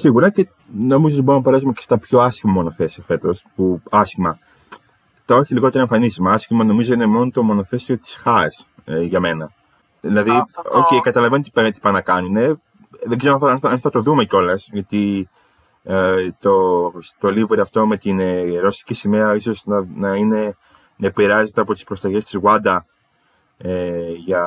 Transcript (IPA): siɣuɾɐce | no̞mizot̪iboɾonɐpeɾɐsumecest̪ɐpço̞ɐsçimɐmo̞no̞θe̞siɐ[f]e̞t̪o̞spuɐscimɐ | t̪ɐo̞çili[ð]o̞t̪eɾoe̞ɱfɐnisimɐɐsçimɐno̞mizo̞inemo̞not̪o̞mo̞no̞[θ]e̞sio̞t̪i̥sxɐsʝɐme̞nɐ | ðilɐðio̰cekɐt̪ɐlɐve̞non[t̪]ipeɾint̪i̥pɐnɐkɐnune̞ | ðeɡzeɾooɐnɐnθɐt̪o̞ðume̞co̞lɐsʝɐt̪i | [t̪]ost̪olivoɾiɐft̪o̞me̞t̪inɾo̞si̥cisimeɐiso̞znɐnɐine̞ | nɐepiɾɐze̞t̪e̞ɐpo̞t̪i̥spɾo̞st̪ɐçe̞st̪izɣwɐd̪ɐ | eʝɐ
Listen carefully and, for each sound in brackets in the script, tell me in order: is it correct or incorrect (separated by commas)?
correct, incorrect, correct, correct, correct